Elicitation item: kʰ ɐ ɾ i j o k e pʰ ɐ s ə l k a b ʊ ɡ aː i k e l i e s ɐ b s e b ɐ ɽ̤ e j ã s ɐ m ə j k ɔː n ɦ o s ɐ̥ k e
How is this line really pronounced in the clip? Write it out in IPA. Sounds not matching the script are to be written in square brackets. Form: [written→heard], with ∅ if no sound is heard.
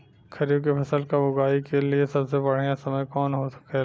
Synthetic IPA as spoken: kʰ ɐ ɾ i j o k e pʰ ɐ s ə l k a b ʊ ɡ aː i k e l i e s ɐ b s e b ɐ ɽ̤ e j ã s ɐ m ə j k ɔː n ɦ o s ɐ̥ k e